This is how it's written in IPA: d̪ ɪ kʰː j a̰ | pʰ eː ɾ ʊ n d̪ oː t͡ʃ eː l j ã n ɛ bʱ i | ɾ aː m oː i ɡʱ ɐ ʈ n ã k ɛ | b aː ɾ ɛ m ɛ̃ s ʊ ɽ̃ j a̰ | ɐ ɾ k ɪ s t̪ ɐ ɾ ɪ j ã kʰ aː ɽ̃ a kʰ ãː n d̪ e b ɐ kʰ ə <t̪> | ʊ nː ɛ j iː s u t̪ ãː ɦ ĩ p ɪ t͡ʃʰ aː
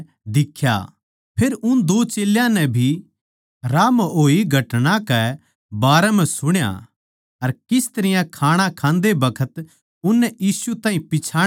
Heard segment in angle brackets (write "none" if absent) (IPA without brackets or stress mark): t̪